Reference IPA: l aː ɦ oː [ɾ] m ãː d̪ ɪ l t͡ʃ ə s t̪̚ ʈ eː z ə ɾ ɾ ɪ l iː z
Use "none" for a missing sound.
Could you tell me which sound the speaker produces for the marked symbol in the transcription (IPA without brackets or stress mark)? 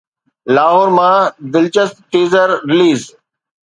ɾ